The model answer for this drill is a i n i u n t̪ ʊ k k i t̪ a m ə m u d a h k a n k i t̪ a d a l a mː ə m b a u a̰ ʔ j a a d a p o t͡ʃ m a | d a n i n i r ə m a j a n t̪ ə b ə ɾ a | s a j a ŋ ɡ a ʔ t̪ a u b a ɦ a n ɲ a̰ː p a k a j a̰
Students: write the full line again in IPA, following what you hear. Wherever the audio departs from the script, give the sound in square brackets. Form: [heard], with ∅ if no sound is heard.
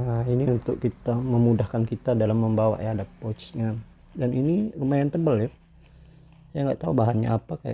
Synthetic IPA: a i n i u n t̪ ʊ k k i t̪ a m ə m u d a h k a n k i t̪ a d a l a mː ə m b a [w] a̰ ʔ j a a d a p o t͡ʃ [ɲ] a | d a n i n i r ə m a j a n t̪ ə b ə [l] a | s a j a ŋ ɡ a ʔ t̪ a u b a ɦ a n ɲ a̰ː p a k a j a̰